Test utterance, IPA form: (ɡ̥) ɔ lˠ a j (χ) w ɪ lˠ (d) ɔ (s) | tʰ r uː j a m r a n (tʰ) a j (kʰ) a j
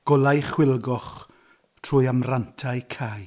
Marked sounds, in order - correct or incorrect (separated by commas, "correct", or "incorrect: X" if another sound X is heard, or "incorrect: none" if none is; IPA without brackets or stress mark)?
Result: correct, correct, incorrect: ɡ, incorrect: χ, correct, correct